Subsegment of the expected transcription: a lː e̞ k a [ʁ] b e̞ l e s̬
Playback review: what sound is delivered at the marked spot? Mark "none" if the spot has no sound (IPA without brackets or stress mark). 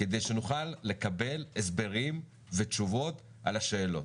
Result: none